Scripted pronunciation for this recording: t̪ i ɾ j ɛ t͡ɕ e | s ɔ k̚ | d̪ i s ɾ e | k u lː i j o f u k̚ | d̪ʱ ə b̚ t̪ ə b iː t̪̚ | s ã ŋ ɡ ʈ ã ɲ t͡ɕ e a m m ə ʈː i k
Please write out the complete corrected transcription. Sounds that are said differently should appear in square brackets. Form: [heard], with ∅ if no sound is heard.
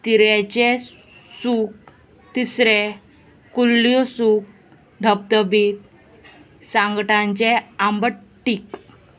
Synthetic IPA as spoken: t̪ i ɾ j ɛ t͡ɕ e | s [u] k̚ | [t̪] i s ɾ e | k u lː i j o [s] u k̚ | d̪ʱ ə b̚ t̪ ə b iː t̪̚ | s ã ŋ ɡ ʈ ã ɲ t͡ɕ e a m [b] ə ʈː i k